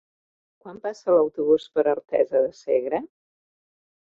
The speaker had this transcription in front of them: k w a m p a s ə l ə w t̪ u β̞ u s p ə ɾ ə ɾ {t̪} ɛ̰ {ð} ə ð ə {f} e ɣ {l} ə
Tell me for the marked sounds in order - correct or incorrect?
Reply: correct, incorrect, incorrect, incorrect

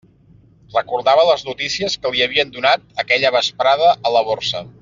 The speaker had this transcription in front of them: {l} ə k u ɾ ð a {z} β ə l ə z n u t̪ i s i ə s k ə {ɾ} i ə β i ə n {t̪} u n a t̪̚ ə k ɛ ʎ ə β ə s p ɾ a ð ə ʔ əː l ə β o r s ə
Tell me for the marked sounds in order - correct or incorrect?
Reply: incorrect, incorrect, incorrect, incorrect

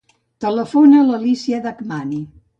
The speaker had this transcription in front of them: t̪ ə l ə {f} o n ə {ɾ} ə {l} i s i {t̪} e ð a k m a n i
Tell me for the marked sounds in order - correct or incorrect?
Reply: correct, incorrect, correct, incorrect

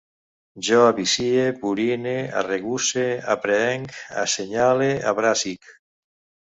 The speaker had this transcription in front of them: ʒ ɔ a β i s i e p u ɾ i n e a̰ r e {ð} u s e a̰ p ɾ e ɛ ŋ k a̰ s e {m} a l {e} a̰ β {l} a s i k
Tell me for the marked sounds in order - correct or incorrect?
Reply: incorrect, incorrect, correct, incorrect

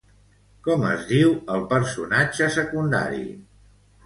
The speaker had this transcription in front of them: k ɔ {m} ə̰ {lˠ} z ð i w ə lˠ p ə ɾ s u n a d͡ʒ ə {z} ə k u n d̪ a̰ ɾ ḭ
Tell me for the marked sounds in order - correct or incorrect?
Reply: correct, incorrect, incorrect

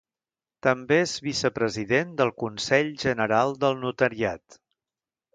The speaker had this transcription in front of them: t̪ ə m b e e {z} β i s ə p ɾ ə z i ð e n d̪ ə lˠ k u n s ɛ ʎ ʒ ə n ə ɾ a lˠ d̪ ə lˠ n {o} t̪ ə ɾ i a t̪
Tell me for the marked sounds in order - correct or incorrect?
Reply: correct, incorrect

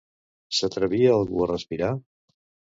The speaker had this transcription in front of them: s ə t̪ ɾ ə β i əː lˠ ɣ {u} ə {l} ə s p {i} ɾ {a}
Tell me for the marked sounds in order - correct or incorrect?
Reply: correct, incorrect, correct, correct

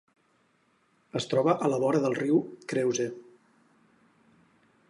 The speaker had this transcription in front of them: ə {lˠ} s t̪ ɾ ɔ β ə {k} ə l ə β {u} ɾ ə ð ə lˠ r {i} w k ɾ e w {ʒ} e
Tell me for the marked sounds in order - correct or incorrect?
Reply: incorrect, incorrect, incorrect, correct, incorrect

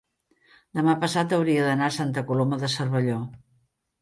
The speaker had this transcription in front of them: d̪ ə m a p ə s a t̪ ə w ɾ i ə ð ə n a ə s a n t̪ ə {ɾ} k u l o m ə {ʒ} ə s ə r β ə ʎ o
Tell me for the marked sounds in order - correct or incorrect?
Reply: incorrect, incorrect

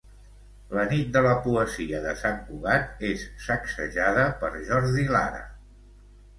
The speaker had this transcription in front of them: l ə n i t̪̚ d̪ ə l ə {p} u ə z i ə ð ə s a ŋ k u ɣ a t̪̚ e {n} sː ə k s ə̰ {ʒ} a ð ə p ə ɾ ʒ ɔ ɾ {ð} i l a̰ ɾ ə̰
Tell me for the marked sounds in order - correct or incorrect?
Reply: correct, incorrect, correct, correct

